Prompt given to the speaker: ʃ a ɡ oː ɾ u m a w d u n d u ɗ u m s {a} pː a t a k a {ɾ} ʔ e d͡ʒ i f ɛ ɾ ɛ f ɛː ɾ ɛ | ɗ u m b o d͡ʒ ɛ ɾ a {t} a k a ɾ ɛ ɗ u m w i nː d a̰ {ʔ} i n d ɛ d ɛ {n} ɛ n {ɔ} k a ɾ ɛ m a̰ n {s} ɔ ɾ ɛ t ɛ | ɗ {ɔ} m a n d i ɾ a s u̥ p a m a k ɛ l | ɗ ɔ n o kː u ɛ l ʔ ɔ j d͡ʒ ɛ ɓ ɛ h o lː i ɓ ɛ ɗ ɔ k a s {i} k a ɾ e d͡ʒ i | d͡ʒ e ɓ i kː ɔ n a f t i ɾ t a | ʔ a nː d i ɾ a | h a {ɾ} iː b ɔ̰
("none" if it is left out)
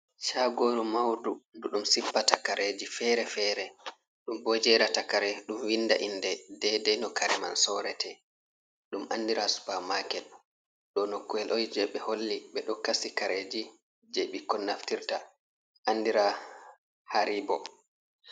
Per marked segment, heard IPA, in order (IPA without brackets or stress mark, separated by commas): i, ɾ, t, ʔ, d, ɔ, s, u, i, ɾ